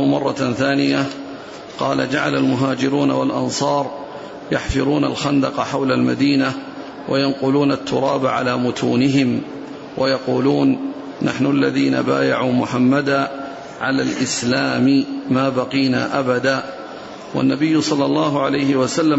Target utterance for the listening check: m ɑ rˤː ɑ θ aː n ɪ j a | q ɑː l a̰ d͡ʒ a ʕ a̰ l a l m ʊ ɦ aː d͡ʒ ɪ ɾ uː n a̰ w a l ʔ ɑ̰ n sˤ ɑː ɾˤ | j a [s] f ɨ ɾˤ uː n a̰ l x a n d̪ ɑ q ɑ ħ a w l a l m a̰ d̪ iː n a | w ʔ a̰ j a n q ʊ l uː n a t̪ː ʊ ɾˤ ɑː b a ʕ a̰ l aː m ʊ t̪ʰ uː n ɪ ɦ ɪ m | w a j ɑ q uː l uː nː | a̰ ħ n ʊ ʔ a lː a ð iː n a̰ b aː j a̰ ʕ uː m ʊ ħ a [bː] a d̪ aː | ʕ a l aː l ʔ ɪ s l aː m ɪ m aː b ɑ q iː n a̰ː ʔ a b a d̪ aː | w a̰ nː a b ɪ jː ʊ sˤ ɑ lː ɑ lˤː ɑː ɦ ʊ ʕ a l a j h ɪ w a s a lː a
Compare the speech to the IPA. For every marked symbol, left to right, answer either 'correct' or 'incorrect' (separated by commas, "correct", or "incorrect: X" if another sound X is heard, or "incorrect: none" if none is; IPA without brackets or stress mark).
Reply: incorrect: ħ, incorrect: mː